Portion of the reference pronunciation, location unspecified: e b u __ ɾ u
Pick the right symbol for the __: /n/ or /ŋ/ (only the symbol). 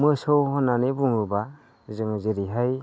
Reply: ŋ